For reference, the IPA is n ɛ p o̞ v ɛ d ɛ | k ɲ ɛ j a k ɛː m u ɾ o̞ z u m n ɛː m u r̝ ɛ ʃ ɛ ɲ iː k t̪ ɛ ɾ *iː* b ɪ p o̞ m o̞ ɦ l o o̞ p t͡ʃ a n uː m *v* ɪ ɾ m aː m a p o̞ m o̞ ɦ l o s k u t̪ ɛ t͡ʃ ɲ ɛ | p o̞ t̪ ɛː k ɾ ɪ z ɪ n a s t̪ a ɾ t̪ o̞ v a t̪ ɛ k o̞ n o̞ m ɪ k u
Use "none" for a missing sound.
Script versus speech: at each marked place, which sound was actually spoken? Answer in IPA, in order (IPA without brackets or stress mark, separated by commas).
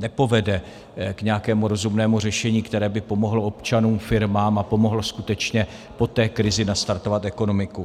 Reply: ɛː, f